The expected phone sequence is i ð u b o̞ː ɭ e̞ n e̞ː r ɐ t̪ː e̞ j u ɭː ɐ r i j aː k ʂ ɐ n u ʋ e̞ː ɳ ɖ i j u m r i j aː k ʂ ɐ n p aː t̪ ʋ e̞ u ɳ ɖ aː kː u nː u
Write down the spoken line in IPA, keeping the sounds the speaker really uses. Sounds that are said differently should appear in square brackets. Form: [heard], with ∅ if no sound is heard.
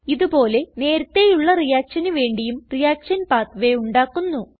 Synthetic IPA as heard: i ð u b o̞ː [l] e̞ n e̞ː [ɾ] ɐ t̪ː e̞ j u ɭː ɐ r i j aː k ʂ ɐ n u ʋ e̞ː ɳ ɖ i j u m r i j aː k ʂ ɐ n p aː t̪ ʋ e̞ u ɳ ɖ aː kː u nː u